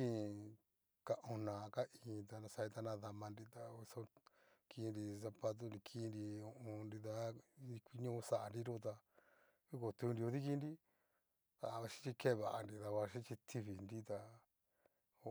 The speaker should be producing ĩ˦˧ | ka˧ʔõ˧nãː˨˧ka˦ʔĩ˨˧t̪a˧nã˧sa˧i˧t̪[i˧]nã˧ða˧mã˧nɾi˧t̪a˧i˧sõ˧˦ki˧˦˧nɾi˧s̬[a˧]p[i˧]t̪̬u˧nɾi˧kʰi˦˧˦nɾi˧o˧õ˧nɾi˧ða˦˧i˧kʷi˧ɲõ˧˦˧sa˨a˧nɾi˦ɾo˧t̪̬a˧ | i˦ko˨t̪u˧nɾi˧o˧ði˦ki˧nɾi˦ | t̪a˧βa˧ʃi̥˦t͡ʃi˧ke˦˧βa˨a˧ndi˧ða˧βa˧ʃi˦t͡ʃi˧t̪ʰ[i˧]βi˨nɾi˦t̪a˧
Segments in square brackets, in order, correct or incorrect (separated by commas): incorrect, correct, incorrect, correct